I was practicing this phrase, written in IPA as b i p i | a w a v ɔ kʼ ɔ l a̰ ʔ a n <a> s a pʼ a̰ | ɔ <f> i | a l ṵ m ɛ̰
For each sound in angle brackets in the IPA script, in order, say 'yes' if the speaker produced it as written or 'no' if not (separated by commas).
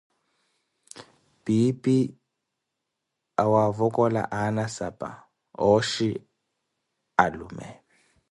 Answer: yes, no